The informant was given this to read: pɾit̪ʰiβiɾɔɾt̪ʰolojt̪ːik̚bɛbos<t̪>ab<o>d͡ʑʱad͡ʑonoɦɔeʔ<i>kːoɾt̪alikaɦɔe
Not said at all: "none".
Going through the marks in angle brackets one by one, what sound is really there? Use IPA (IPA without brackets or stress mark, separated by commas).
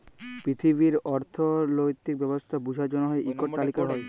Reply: t̪ʰ, u, i